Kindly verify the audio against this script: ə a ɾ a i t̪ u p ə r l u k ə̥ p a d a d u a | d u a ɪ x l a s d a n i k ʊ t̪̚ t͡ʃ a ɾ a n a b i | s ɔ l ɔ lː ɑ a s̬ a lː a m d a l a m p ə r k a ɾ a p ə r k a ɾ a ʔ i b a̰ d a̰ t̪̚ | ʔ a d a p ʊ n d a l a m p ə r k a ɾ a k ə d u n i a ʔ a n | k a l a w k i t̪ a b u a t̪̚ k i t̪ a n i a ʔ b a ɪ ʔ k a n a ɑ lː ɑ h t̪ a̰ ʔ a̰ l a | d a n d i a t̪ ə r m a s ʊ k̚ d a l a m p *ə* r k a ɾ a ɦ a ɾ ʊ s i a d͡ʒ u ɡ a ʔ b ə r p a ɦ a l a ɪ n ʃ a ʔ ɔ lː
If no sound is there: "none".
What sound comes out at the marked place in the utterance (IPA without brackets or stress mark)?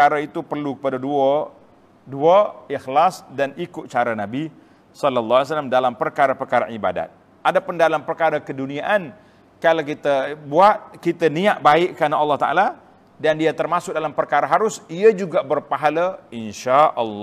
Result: ə